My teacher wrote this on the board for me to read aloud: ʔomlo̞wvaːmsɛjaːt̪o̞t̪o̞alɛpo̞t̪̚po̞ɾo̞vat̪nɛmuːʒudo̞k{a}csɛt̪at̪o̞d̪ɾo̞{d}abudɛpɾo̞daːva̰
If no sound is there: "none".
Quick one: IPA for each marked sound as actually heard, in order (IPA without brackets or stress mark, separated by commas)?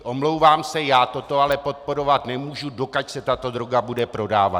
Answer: a, ɡ